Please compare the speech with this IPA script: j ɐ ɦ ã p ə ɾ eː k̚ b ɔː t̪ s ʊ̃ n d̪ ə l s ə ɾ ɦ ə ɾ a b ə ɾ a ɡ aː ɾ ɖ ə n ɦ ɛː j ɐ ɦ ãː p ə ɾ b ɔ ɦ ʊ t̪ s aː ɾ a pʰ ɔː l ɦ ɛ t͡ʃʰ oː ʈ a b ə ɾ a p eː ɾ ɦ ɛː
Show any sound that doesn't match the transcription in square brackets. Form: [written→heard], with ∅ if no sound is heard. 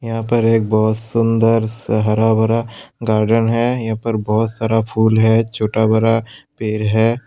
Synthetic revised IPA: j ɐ ɦ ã p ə ɾ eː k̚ b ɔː t̪ s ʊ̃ n d̪ ə [l→ɾ] s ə [ɾ→∅] ɦ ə ɾ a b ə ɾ a ɡ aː ɾ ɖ ə n ɦ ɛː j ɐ ɦ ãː p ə ɾ b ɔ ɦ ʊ t̪ s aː ɾ a pʰ [ɔː→uː] l ɦ ɛ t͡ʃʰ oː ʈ a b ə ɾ a p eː ɾ ɦ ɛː

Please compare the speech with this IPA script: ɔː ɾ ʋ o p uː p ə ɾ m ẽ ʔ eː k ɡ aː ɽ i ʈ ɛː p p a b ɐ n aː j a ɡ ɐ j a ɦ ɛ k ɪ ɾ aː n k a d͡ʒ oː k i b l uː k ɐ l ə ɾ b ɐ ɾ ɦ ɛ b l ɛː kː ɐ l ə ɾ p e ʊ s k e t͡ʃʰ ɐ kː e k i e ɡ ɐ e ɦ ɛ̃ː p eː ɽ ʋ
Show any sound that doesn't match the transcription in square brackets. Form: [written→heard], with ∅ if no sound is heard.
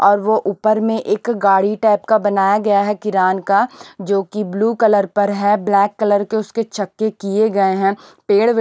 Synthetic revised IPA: ɔː ɾ ʋ o [p→ʔ] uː p ə ɾ m ẽ ʔ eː k ɡ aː ɽ i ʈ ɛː p [p→k] a b ɐ n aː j a ɡ ɐ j a ɦ ɛ k ɪ ɾ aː n k a d͡ʒ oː k i b l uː k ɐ l ə ɾ [b→p] ɐ ɾ ɦ ɛ b l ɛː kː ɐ l ə ɾ [p→k] e ʊ s k e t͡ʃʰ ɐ kː e k i e ɡ ɐ e ɦ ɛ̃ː p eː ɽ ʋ

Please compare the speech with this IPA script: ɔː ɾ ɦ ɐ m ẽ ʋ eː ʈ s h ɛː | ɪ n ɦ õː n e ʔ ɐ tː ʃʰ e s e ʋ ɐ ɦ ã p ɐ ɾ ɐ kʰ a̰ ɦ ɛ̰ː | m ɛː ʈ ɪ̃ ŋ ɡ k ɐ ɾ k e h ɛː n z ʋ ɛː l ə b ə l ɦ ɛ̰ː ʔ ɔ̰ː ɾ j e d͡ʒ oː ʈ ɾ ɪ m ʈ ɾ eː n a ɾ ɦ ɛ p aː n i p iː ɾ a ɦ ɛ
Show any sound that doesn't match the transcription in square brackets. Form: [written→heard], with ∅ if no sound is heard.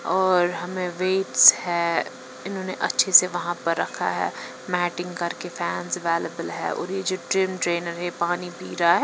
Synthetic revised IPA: ɔː ɾ ɦ ɐ m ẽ ʋ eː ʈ s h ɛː | ɪ n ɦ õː n e ʔ ɐ tː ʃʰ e s e ʋ ɐ ɦ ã p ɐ [ɾ→ɾː] ɐ kʰ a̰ ɦ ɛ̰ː | m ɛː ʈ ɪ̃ ŋ ɡ k ɐ ɾ k e [h→f] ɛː n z ʋ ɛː l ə b ə l ɦ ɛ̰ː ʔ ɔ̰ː ɾ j e d͡ʒ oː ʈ ɾ ɪ m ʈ ɾ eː n [a→ə] ɾ ɦ ɛ p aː n i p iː ɾ a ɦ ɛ

